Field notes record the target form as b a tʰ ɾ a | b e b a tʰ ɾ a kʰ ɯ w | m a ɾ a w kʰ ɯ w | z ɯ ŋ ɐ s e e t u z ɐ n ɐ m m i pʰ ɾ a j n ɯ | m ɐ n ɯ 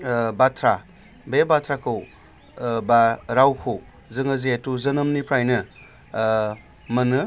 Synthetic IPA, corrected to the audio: b a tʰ ɾ a | b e b a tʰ ɾ a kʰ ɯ w | b a ɾ a w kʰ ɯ w | z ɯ ŋ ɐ z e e t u z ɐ n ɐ m n i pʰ ɾ a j n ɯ | m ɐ n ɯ